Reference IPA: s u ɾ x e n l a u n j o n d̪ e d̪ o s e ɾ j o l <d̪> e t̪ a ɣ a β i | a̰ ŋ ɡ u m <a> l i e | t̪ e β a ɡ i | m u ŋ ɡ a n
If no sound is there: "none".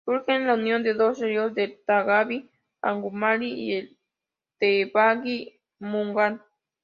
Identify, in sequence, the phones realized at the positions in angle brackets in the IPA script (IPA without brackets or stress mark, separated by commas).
d̪, a